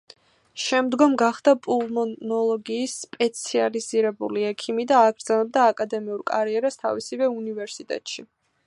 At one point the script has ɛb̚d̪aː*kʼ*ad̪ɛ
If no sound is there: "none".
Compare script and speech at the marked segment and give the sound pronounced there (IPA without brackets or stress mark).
kʼ